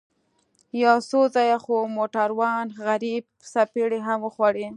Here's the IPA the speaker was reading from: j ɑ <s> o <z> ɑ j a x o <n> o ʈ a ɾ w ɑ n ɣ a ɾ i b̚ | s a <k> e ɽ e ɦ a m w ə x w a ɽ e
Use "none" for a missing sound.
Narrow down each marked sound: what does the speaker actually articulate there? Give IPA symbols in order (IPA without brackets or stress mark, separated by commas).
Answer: s, z, m, p